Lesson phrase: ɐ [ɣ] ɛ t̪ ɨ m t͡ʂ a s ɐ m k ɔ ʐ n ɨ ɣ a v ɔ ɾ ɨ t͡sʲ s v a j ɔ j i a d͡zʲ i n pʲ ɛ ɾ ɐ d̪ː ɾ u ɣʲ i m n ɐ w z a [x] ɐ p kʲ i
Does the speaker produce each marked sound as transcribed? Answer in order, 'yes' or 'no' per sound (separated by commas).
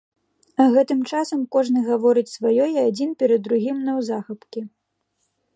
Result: yes, yes